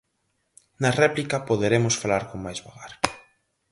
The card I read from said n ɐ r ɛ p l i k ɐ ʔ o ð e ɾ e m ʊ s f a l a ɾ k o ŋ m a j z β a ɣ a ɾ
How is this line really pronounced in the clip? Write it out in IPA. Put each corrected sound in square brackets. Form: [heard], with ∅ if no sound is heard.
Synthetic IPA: n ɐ r ɛ p l i k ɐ [p] o ð e ɾ e m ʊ s f a l a ɾ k o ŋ m a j z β a ɣ a ɾ

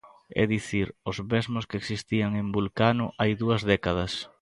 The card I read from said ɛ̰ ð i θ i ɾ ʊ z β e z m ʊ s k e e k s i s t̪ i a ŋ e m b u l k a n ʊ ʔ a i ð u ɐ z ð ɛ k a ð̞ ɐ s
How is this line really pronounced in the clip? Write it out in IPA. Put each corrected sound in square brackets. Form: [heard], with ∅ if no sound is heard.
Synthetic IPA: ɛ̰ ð i θ i ɾ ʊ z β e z m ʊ s k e e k s i s t̪ i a ŋ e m b u l k a n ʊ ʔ a [j] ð u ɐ z ð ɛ k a ð̞ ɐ s

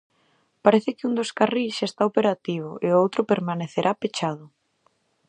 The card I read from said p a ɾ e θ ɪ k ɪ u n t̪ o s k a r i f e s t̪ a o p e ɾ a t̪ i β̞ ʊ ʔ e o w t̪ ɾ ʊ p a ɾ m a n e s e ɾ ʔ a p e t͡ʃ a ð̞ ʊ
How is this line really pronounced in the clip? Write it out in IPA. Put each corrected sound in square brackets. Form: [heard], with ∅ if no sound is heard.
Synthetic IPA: p a ɾ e θ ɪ k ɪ u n [d̪] o s k a r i [ʃ] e s t̪ a o p e ɾ a t̪ i β̞ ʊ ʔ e o w t̪ ɾ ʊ p [e] ɾ m a n e [θ] e ɾ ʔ a p e t͡ʃ a ð̞ ʊ

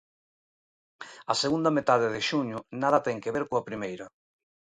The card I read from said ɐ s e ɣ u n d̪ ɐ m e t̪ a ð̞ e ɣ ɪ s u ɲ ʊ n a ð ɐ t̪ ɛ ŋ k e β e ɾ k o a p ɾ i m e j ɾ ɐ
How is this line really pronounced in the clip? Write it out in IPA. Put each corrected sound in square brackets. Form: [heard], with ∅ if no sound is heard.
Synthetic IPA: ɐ s e ɣ u n d̪ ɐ m e t̪ a ð̞ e [ð] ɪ [ʃ] u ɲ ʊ n a ð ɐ t̪ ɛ ŋ k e β e ɾ k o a p ɾ i m e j ɾ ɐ

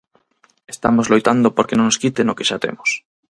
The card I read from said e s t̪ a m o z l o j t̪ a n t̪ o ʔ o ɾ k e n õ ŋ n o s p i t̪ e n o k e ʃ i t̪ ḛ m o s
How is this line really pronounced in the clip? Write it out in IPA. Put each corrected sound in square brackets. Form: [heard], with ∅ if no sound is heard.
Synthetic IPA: e s t̪ a m o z l o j t̪ a n [d̪] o [p] o ɾ k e n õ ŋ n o s [k] i t̪ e n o k e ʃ [a] t̪ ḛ m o s

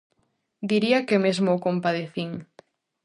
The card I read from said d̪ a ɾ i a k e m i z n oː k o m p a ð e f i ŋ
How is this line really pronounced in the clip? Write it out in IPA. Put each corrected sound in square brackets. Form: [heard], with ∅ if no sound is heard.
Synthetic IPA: d̪ [i] ɾ i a k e m [e] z [m] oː k o m p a ð e [θ] i ŋ

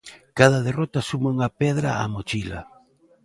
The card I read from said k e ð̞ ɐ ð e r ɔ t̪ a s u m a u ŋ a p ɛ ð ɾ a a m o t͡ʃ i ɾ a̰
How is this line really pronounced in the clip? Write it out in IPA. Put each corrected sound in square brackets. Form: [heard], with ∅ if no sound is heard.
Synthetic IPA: k [a] ð̞ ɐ ð e r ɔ t̪ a s u m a u ŋ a p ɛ ð ɾ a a m o t͡ʃ i [l] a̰

